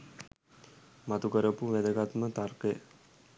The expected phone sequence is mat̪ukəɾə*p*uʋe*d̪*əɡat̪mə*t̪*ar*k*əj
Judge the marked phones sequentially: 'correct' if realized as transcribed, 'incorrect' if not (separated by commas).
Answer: correct, correct, correct, correct